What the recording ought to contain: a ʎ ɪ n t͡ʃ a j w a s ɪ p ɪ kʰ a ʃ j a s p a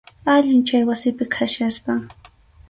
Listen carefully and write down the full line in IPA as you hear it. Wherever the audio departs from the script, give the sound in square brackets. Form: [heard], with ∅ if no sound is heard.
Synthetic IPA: a ʎ ɪ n t͡ʃ a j w a s ɪ p ɪ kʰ a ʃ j a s p a